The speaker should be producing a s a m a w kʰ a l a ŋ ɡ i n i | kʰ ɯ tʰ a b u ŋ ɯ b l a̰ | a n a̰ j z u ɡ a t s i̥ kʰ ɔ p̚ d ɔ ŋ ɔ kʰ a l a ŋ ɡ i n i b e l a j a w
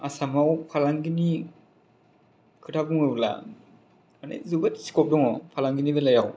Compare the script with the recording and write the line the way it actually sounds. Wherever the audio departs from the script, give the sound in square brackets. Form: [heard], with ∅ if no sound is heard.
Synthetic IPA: a s a m a w [pʰ] a l a ŋ ɡ i n i | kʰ ɯ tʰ a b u ŋ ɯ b l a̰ | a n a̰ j z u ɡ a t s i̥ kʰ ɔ p̚ d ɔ ŋ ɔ [pʰ] a l a ŋ ɡ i n i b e l a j a w

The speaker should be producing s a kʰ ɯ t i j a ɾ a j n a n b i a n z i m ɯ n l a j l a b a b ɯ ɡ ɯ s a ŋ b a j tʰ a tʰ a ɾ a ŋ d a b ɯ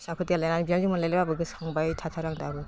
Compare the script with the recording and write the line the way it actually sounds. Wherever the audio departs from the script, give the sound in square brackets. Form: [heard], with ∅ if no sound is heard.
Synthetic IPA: s a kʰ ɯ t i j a [l] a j n a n b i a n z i m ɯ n l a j l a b a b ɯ ɡ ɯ s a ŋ b a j tʰ a tʰ a ɾ a ŋ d a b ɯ

